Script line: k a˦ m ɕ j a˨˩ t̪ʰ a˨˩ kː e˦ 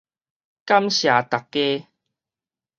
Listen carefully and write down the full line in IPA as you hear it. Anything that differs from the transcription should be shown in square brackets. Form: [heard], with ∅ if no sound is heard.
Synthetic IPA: k a˦ m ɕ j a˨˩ [t̪] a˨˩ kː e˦